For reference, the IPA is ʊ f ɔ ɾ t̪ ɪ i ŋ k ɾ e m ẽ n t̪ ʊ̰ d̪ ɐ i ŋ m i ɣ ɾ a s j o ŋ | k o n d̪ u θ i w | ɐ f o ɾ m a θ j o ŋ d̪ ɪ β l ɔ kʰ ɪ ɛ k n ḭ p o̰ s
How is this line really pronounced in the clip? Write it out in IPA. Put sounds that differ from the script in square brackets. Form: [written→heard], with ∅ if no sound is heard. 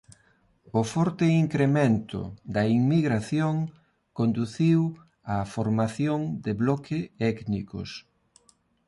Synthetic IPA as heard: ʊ f ɔ ɾ t̪ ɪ i ŋ k ɾ e m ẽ n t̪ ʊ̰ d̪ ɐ i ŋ m i ɣ ɾ a [s→θ] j o ŋ | k o n d̪ u θ i w | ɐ f o ɾ m a θ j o ŋ d̪ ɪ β l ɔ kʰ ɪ ɛ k n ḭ [p→k] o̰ s